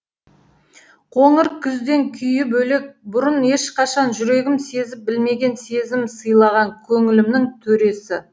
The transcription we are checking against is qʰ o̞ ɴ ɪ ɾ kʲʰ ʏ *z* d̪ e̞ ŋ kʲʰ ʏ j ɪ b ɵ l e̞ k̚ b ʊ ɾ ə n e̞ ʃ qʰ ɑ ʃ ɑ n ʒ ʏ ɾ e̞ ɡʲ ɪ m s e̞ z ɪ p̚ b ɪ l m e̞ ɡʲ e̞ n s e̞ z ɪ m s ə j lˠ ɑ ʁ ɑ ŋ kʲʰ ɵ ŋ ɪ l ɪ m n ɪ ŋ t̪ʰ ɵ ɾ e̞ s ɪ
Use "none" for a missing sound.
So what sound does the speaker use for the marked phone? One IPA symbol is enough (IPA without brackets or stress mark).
z